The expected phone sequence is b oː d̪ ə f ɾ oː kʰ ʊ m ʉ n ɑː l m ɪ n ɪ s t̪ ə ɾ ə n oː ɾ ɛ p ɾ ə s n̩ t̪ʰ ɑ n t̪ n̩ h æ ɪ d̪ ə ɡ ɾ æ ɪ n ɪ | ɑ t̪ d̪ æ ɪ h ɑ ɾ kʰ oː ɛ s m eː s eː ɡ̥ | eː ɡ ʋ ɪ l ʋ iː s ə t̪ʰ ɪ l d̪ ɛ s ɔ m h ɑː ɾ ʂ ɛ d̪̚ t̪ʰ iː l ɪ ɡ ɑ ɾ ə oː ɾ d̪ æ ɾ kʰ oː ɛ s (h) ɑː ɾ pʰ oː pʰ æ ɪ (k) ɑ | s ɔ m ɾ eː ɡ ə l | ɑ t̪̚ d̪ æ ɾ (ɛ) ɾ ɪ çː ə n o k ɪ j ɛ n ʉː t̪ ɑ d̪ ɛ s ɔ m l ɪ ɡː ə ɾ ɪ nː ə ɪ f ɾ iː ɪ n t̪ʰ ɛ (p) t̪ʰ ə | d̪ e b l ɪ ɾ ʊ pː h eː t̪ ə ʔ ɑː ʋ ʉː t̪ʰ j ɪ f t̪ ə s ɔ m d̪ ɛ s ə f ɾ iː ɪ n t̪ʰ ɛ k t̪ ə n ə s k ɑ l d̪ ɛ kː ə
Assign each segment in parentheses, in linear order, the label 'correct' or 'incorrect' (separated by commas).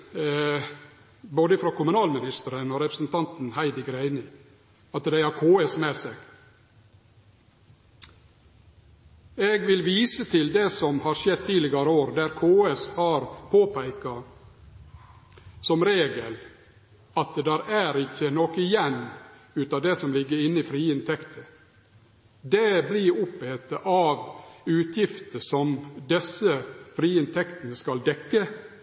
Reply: correct, correct, incorrect, incorrect